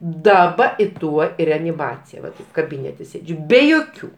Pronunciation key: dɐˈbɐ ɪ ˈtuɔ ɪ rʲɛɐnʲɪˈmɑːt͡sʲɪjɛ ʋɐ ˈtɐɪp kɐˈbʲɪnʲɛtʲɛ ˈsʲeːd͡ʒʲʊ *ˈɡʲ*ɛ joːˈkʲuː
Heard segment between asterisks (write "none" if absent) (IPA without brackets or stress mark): bʲ